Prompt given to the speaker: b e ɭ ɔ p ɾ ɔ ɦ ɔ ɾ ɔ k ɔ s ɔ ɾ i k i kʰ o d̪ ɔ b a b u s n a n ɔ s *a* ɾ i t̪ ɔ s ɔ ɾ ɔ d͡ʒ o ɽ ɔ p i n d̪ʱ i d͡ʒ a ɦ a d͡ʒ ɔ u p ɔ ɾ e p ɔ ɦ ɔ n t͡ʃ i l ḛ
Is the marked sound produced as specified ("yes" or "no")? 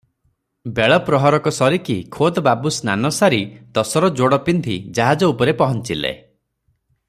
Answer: yes